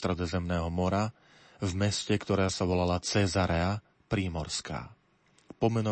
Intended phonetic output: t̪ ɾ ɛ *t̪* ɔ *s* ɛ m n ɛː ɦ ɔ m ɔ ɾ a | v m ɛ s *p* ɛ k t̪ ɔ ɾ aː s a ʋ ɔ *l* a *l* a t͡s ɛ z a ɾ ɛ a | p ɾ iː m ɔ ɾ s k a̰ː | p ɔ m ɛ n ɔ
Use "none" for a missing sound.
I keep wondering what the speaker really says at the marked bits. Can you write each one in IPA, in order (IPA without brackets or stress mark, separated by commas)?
d̪, z, c, l, l